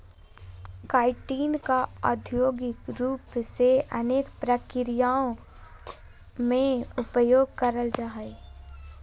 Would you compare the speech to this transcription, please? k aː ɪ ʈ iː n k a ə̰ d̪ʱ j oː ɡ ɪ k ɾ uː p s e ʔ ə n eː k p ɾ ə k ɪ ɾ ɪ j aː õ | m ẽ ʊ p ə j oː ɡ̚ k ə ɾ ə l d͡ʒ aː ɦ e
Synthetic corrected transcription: k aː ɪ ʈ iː n k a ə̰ d̪ʱ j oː ɡ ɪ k ɾ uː p s e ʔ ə n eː k p ɾ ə k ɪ ɾ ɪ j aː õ | m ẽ ʊ p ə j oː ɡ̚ k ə ɾ ə l d͡ʒ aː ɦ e